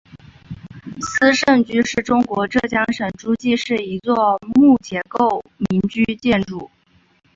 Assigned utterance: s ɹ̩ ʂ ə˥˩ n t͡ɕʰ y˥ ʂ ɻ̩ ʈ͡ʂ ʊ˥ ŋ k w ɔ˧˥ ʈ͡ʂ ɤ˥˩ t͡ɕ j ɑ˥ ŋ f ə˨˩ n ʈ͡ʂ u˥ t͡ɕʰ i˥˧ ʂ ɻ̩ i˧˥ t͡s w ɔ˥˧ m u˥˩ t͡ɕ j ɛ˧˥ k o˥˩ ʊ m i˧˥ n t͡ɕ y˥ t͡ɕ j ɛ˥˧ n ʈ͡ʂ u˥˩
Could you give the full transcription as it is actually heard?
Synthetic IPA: s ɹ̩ ʂ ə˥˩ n t͡ɕ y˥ ʂ ɻ̩ ʈ͡ʂ ʊ˥ ŋ k w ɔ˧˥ ʈ͡ʂ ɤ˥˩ t͡ɕ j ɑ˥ ŋ ʂ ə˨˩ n ʈ͡ʂ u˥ t͡ɕ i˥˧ ʂ ɻ̩ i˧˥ t͡s w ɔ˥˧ m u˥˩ t͡ɕ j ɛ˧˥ k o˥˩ ʊ m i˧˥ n t͡ɕ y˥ t͡ɕ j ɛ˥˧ n ʈ͡ʂ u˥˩